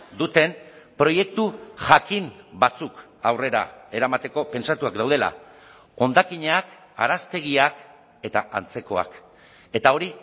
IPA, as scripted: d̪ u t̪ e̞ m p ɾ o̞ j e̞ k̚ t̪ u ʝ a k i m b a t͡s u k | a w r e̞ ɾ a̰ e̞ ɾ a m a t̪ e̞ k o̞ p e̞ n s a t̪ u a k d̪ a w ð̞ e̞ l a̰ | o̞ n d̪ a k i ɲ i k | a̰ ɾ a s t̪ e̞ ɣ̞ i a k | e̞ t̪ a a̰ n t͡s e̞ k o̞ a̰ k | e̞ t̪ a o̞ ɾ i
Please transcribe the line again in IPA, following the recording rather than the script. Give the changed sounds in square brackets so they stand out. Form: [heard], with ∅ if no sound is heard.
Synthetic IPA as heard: d̪ u t̪ e̞ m p ɾ o̞ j e̞ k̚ t̪ u ʝ a k i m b a t͡s u k | a w r e̞ ɾ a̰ e̞ ɾ a m a t̪ e̞ k o̞ p e̞ n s a t̪ u a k d̪ a w ð̞ e̞ l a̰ | o̞ n d̪ a k i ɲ [a] k | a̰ ɾ a s t̪ e̞ ɣ̞ i a k | e̞ t̪ a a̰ n t͡s e̞ k o̞ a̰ k | e̞ t̪ a o̞ ɾ i